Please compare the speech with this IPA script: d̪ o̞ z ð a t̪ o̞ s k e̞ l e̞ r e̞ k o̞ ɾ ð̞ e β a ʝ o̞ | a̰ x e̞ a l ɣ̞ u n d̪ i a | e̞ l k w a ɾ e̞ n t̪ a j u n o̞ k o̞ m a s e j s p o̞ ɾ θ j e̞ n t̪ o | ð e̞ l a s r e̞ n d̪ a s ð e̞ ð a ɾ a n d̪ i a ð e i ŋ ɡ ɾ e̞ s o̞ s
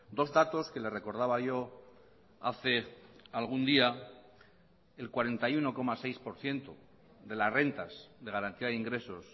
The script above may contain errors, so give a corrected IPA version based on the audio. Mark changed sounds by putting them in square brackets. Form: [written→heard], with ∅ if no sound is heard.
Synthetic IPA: d̪ o̞ z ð a t̪ o̞ s k e̞ l e̞ r e̞ k o̞ ɾ ð̞ [e→a] β a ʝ o̞ | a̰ [x→θ] e̞ a l ɣ̞ u n d̪ i a | e̞ l k w a ɾ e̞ n t̪ a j u n o̞ k o̞ m a s e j s p o̞ ɾ θ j e̞ n t̪ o | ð e̞ l a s r e̞ n [d̪→t̪] a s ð e̞ [ð→ɣ] a ɾ a n [d̪→t̪] i a ð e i ŋ ɡ ɾ e̞ s o̞ s